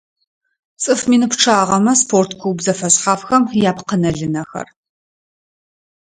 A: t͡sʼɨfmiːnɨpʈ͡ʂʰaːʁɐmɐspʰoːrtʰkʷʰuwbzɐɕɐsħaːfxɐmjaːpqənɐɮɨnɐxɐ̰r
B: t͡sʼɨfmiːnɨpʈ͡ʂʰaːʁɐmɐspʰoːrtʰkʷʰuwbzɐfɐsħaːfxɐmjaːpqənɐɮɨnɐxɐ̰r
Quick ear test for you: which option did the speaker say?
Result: B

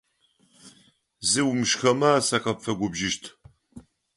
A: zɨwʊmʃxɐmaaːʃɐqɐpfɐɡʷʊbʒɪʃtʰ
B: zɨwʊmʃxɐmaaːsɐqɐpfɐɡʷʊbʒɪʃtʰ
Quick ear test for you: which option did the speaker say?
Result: B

